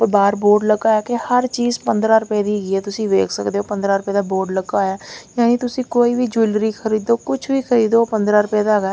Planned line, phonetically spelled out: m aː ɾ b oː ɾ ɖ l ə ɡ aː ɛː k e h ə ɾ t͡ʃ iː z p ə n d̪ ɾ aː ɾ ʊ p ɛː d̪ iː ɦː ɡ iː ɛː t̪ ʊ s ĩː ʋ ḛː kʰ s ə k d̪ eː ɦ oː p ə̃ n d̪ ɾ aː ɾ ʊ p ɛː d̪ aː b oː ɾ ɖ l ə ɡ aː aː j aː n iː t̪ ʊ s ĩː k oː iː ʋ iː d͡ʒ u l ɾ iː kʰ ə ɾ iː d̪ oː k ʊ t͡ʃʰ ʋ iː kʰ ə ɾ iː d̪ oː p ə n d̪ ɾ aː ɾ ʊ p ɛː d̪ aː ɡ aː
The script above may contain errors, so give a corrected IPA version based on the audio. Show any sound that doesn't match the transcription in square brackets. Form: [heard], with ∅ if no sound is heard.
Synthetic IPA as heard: [b] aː ɾ b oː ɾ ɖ l ə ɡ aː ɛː k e h ə ɾ t͡ʃ iː z p ə n d̪ ɾ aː ɾ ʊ p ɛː d̪ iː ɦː ɡ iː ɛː t̪ ʊ s ĩː ʋ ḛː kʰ s ə k d̪ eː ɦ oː p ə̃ n d̪ ɾ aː ɾ ʊ p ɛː d̪ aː b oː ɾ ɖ l ə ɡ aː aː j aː n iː t̪ ʊ s ĩː k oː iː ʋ iː d͡ʒ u l ɾ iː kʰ ə ɾ iː d̪ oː k ʊ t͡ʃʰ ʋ iː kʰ ə ɾ iː d̪ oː p ə n d̪ ɾ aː ɾ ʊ p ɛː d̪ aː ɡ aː